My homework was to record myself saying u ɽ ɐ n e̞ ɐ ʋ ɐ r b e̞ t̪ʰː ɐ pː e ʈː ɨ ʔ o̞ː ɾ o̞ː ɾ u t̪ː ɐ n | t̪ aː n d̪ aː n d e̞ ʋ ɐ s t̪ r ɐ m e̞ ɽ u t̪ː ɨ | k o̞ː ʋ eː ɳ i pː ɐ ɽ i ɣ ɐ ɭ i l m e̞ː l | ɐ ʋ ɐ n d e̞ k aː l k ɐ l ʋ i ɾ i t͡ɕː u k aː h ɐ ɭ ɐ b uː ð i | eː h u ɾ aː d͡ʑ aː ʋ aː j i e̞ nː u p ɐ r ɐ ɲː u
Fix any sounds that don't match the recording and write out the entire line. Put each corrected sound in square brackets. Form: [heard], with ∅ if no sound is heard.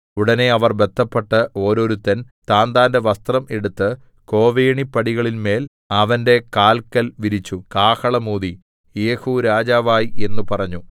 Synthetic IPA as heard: u ɽ ɐ n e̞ ɐ ʋ ɐ r b e̞ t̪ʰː ɐ pː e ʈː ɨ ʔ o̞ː ɾ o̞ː ɾ u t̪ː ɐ n | t̪ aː n d̪ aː n d e̞ ʋ ɐ s t̪ r ɐ m e̞ ɽ u t̪ː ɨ | k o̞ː ʋ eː ɳ i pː ɐ ɽ i ɣ ɐ ɭ i l m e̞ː l | ɐ ʋ ɐ n d e̞ k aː l k ɐ l ʋ i ɾ i t͡ɕː u k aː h ɐ ɭ ɐ [m] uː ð i | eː h u ɾ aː d͡ʑ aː ʋ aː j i e̞ nː u p ɐ r ɐ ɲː u